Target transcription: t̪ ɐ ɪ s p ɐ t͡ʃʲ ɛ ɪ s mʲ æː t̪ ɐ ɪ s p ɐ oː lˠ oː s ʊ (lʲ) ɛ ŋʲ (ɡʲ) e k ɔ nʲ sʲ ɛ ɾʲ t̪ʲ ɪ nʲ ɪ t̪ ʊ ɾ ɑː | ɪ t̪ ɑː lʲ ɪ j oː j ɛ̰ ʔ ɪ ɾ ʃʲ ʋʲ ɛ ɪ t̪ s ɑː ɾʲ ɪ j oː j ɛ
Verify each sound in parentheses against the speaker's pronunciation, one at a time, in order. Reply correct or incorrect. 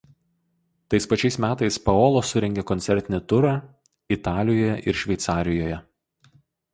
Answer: incorrect: ɾʲ, correct

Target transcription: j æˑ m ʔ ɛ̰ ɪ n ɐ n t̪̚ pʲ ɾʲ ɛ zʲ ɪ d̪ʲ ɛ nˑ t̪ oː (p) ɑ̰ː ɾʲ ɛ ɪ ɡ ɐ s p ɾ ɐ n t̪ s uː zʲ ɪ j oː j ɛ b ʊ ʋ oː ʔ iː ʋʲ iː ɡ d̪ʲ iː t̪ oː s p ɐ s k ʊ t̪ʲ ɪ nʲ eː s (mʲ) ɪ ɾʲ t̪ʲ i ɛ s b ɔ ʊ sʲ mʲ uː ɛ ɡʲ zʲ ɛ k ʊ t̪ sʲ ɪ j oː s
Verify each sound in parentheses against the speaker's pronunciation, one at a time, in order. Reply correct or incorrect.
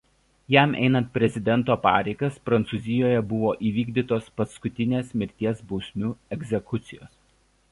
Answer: correct, correct

